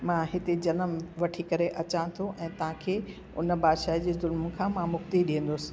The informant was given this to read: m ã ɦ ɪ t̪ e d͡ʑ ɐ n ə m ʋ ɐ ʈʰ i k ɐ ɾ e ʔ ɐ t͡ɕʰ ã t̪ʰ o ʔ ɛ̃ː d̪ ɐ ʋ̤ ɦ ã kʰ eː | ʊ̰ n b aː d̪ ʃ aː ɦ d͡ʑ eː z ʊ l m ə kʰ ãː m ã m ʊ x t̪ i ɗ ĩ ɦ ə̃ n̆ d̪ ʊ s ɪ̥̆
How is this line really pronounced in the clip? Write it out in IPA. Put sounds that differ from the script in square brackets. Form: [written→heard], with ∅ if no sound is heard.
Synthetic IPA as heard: m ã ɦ ɪ t̪ e d͡ʑ ɐ n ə m ʋ ɐ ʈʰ i k ɐ ɾ e ʔ ɐ [t͡ɕʰ→t͡ɕ] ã t̪ʰ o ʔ ɛ̃ː [d̪→t̪] ɐ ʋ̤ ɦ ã kʰ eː | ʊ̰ n b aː d̪ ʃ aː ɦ d͡ʑ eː z ʊ l m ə kʰ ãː m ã m ʊ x t̪ i ɗ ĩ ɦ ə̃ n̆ d̪ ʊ s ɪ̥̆

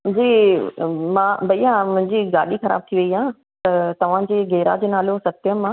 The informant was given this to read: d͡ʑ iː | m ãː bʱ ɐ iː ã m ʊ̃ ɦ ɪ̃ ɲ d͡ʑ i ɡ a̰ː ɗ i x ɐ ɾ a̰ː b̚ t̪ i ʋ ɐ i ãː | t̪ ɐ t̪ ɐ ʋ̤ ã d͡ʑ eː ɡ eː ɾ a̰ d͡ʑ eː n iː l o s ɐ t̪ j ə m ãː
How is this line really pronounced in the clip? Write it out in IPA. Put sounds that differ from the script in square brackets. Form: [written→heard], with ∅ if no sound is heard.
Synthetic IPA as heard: d͡ʑ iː | m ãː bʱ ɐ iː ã m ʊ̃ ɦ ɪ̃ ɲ d͡ʑ i ɡ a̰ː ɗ i x ɐ ɾ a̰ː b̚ [t̪→t̪ʰ] i ʋ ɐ i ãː | t̪ ɐ t̪ ɐ ʋ̤ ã d͡ʑ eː ɡ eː ɾ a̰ d͡ʑ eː n [iː→aː] l o s ɐ t̪ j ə m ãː

